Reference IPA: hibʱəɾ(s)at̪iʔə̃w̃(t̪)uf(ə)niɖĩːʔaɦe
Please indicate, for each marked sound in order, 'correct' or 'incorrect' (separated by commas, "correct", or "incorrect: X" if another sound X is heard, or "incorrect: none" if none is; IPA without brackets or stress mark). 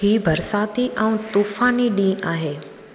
correct, correct, incorrect: a